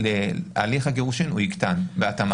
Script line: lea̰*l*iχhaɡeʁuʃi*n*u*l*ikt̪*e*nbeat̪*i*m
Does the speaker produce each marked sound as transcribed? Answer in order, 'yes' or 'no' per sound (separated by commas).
yes, yes, no, no, no